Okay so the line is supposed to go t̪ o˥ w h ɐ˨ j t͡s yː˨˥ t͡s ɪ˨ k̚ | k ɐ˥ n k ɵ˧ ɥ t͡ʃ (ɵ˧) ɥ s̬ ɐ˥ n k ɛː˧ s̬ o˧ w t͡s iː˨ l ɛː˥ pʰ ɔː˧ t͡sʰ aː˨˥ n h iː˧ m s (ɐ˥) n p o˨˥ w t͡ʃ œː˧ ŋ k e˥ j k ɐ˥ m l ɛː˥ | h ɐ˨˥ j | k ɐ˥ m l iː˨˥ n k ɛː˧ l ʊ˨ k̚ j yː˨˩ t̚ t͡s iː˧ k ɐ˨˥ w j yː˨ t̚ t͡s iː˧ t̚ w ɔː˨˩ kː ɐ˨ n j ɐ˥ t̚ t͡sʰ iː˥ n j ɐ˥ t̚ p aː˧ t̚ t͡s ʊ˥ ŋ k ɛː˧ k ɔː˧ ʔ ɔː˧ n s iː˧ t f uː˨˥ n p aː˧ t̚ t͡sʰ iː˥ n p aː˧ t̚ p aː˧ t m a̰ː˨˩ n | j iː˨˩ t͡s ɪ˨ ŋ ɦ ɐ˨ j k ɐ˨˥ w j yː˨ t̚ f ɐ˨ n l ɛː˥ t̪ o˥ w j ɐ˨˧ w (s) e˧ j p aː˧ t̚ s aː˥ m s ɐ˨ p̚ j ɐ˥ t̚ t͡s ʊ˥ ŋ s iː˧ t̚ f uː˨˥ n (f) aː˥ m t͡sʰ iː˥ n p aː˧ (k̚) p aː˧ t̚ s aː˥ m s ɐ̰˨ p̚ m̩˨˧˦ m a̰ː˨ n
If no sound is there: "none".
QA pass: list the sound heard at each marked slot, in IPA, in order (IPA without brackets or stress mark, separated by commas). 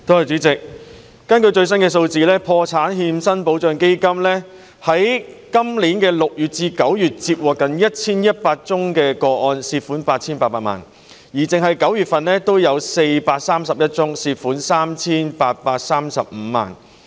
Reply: ɵ˧, ɐ˥, s, s, t̚